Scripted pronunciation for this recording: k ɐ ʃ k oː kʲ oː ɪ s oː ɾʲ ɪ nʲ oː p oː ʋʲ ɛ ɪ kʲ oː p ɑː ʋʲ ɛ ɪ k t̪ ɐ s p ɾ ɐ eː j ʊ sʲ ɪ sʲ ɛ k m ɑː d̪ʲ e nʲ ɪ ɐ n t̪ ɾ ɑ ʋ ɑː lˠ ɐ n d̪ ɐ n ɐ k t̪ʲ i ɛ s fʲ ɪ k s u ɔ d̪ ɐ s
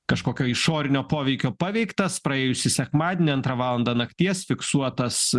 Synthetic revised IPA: k ɐ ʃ k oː kʲ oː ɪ ʃ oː ɾʲ ɪ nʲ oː p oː ʋʲ ɛ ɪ kʲ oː p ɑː ʋʲ ɛ ɪ k t̪ ɐ s p ɾ ɐ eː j ʊ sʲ ɪ sʲ ɛ k m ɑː d̪ʲ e nʲ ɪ ɐ n t̪ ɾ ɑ ʋ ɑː lˠ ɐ n d̪ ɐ n ɐ k t̪ʲ i ɛ s fʲ ɪ k s u ɔ t̪ ɐ s